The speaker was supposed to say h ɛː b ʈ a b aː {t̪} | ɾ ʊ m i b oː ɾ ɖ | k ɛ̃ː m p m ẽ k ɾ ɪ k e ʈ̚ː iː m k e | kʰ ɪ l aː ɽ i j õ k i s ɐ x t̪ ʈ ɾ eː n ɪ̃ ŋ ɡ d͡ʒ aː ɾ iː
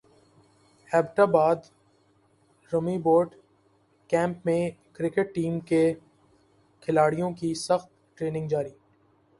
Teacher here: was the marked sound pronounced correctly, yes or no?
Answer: no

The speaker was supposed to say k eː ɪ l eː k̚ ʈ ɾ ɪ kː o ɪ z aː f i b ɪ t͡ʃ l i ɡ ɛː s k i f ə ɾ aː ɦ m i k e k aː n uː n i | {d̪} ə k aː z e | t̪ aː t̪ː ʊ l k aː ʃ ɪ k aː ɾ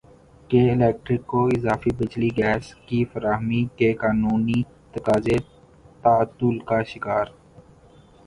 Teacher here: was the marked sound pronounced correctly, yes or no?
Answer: no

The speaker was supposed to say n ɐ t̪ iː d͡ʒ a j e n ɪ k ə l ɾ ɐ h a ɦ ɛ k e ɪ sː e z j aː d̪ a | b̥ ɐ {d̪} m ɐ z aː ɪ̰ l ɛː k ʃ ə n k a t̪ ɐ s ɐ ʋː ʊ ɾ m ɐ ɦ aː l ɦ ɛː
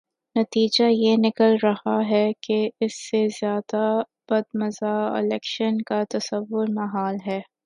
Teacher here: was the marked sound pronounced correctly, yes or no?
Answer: yes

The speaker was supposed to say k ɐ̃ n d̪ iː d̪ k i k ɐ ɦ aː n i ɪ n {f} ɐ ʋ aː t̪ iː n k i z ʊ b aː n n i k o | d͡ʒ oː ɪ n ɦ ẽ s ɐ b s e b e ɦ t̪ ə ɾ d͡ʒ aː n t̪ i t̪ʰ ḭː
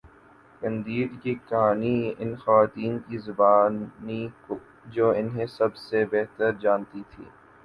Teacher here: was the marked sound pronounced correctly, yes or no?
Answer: no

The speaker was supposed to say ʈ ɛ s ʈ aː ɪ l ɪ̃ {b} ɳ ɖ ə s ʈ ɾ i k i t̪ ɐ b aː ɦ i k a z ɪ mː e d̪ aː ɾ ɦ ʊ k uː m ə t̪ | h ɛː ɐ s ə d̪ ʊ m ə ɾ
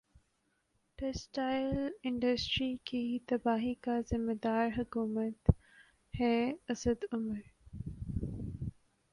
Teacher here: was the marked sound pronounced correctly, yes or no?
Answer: no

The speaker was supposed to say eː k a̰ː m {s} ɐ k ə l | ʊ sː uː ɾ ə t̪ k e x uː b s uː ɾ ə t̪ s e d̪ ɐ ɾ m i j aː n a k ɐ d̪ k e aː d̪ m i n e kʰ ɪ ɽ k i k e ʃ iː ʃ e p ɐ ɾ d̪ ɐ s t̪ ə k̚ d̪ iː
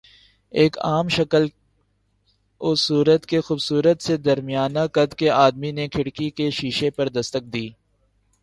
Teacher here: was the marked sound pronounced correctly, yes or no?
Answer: no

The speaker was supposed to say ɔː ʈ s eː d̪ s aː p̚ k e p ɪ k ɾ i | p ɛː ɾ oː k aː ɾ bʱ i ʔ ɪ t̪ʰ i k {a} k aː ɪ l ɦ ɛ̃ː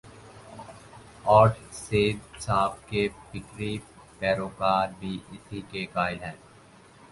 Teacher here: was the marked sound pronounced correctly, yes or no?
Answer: no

